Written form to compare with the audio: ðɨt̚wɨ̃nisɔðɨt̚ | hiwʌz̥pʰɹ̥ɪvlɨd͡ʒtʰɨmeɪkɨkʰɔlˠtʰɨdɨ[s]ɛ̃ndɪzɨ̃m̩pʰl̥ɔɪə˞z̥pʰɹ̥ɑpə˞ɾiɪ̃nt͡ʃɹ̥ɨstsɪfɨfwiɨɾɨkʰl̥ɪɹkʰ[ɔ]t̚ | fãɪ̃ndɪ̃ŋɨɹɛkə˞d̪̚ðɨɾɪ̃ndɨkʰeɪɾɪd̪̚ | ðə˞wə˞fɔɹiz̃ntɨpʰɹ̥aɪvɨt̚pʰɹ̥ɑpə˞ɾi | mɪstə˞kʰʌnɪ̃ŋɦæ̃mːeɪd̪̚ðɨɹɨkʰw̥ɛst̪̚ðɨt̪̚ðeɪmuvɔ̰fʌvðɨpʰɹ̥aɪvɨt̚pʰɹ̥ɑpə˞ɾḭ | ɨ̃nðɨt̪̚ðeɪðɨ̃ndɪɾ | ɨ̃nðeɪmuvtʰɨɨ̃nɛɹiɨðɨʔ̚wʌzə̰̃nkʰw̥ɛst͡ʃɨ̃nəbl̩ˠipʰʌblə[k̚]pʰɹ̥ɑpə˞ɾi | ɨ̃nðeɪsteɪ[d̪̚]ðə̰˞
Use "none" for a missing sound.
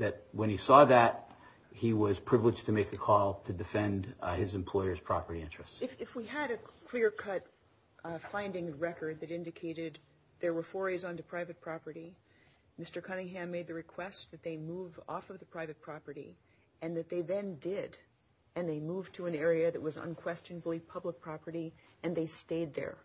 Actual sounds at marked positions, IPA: f, ʌ, k̚, d̪̚

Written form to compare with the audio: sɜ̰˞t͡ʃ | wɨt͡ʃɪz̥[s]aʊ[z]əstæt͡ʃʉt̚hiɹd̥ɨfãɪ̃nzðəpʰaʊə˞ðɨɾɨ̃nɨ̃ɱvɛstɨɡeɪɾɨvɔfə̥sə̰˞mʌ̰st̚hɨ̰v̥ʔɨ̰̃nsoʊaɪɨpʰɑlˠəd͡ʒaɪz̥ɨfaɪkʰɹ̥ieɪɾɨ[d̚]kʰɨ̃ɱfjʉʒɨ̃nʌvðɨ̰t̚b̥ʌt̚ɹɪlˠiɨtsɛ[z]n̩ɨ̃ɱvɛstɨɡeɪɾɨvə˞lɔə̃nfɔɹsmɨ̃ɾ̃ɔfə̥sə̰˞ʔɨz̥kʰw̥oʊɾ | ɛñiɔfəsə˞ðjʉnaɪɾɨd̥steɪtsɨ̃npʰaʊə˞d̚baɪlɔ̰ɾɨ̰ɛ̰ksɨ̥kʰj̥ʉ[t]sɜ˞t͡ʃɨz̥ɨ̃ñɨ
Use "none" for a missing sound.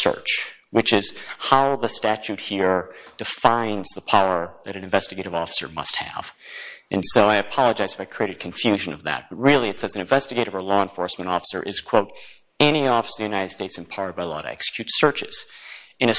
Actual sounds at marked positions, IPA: h, ð, d̚, z, t

